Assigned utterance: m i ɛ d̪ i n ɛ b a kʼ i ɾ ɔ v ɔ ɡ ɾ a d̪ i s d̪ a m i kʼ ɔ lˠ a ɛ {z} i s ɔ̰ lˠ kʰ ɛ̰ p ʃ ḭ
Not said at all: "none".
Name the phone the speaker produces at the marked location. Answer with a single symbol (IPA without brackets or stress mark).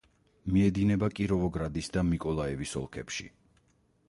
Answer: v